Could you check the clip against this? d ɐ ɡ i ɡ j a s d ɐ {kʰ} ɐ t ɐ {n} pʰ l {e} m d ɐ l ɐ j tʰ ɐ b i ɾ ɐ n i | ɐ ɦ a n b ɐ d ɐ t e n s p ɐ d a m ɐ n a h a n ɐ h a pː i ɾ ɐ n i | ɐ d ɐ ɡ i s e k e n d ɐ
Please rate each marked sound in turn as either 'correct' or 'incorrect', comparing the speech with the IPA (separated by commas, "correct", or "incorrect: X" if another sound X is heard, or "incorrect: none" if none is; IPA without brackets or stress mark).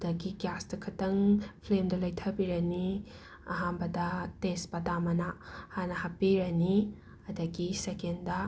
correct, incorrect: ŋ, correct